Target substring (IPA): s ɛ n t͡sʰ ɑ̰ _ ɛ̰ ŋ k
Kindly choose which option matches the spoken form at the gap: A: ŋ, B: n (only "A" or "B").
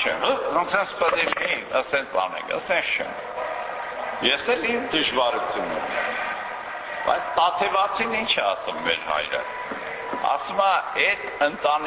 B